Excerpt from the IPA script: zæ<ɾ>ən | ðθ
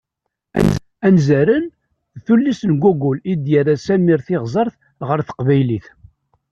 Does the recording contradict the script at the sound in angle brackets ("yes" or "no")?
no